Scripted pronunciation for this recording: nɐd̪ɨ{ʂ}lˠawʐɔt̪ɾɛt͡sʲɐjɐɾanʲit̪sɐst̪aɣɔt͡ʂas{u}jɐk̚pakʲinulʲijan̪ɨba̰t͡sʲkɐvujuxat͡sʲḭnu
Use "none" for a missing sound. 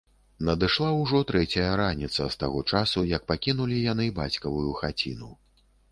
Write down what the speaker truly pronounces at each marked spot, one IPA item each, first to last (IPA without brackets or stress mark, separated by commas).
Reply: ʂ, u